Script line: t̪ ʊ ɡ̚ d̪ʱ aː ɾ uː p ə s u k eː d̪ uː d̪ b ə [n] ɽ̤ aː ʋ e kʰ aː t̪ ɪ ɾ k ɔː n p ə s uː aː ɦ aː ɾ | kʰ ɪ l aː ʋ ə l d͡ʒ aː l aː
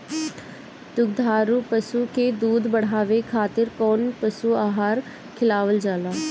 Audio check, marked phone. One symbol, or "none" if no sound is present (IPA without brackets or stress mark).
none